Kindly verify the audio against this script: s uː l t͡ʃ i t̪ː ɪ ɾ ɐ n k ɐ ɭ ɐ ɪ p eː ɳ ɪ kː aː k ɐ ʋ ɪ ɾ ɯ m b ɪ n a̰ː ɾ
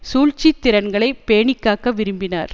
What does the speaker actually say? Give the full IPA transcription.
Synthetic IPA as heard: s uː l t͡ʃ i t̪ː ɪ ɾ ɐ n ɡ ɐ ɭ ɐ ɪ p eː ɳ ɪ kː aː k ɐ ʋ ɪ ɾ ɯ m b ɪ n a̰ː ɾ